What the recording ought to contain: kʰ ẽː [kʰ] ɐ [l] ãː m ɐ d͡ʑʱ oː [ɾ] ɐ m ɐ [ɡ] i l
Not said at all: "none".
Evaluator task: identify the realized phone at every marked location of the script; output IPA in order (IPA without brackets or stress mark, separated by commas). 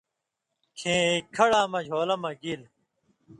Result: kʰ, ɽ, l, ɡ